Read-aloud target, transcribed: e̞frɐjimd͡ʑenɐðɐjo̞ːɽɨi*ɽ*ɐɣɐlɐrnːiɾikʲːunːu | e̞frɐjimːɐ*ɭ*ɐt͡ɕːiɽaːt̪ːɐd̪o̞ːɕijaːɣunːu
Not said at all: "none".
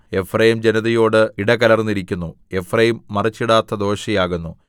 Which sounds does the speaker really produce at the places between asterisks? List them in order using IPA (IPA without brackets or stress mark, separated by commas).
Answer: ɽ, r